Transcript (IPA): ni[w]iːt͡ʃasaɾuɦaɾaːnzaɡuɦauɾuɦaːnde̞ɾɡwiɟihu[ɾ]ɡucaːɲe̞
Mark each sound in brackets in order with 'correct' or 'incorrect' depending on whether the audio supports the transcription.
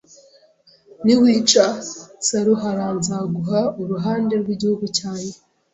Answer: correct, incorrect: none

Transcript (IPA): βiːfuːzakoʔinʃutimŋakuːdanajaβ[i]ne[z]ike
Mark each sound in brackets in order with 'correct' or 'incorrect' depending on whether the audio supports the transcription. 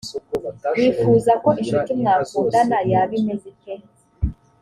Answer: correct, correct

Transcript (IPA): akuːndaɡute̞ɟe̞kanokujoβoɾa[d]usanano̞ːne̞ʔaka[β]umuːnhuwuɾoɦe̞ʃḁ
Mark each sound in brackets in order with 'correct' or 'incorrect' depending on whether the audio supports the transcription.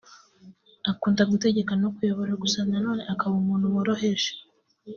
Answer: incorrect: ɡ, correct

